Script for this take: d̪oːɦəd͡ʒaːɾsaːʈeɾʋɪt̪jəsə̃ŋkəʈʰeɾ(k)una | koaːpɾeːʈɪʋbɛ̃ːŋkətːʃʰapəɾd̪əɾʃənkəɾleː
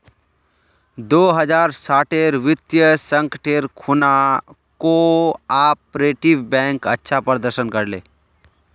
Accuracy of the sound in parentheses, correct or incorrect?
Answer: incorrect: kʰ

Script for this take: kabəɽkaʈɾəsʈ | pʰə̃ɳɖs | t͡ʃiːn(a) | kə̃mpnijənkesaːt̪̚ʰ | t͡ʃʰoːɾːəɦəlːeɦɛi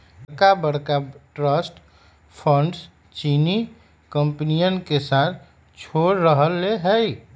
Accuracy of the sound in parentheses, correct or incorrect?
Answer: incorrect: i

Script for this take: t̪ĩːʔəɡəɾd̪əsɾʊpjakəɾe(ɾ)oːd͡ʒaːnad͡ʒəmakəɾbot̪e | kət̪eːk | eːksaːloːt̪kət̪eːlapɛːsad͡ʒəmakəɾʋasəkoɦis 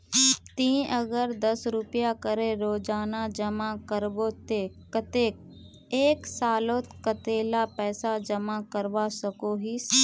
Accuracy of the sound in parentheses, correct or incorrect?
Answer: correct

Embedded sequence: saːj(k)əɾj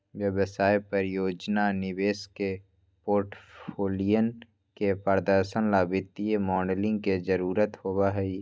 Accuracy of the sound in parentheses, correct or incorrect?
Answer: incorrect: p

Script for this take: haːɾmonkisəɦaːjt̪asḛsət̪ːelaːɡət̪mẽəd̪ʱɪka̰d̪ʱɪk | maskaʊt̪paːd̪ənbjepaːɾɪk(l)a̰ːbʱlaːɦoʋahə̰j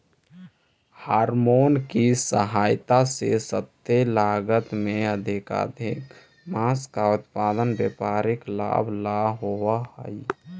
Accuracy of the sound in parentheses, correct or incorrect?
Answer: correct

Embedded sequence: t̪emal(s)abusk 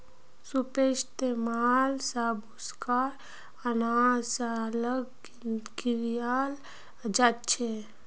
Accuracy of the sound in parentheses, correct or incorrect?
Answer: correct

